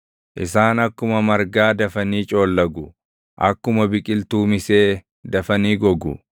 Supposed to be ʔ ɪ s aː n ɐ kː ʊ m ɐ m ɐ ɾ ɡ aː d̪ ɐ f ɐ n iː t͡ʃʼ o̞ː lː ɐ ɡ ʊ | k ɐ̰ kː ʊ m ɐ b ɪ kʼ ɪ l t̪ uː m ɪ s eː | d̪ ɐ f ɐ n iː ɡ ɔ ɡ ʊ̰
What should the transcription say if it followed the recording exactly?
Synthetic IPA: ʔ ɪ s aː n ɐ kː ʊ m ɐ m ɐ ɾ ɡ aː d̪ ɐ f ɐ n iː t͡ʃʼ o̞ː lː ɐ ɡ ʊ | ʔ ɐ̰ kː ʊ m ɐ b ɪ kʼ ɪ l t̪ uː m ɪ s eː | d̪ ɐ f ɐ n iː ɡ ɔ ɡ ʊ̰